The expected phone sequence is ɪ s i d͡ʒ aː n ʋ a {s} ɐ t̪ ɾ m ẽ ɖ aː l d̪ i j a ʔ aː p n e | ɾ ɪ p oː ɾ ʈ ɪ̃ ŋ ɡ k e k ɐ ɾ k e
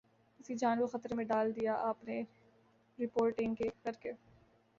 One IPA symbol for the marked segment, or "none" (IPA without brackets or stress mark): x